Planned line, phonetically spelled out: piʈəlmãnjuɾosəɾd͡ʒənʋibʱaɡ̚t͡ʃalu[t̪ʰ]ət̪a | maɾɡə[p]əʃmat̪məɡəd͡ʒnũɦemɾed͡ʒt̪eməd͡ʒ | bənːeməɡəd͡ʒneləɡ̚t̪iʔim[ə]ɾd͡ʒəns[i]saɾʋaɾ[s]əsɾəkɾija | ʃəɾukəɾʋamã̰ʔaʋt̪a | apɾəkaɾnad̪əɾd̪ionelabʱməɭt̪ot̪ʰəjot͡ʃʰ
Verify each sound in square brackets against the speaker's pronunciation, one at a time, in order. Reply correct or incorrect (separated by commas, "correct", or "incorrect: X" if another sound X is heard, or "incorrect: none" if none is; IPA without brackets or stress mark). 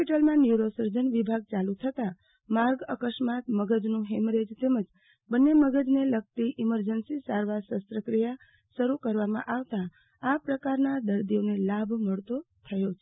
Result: correct, incorrect: k, correct, correct, correct